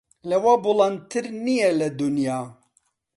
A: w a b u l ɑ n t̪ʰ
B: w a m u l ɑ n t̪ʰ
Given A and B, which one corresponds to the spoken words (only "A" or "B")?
A